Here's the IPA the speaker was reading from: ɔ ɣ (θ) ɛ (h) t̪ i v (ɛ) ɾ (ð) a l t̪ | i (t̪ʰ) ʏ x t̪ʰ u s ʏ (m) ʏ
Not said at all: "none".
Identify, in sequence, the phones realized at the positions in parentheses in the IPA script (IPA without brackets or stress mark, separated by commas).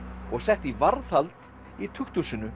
s, h, a, θ, t̪ʰ, n